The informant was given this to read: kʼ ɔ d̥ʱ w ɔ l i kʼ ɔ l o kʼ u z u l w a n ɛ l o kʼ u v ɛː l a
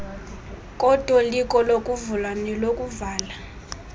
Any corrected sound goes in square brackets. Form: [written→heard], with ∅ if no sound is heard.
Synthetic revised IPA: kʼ ɔ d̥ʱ w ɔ l i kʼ ɔ l o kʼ u [z→v] u l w a n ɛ l o kʼ u v [ɛː→aː] l a